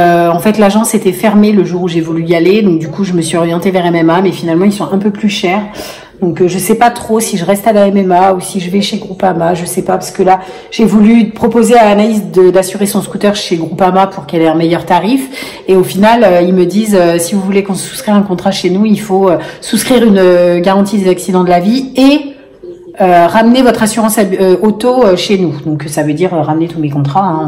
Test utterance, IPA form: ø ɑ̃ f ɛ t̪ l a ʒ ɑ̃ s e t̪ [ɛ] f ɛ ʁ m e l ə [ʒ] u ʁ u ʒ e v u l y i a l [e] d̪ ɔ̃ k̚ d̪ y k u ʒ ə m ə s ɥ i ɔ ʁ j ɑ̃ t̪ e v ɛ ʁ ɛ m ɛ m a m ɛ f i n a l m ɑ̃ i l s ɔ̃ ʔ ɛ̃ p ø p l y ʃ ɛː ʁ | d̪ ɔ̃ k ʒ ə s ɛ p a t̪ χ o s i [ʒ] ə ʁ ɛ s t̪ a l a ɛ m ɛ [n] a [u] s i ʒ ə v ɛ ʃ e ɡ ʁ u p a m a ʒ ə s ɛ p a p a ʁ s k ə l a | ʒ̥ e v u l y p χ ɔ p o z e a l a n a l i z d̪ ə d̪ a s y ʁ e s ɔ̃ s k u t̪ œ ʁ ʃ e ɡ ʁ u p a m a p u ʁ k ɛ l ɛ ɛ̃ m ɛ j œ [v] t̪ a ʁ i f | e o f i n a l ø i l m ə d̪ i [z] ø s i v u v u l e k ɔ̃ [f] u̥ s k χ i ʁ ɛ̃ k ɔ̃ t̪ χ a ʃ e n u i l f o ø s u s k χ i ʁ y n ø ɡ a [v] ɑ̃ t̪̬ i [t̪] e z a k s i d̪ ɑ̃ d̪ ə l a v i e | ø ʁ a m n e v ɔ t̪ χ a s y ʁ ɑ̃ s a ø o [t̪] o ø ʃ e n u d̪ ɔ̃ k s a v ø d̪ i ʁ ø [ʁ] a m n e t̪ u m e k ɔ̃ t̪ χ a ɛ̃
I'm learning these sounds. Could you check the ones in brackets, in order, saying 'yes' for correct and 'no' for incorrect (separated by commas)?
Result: yes, yes, yes, yes, no, yes, no, yes, no, no, no, yes, yes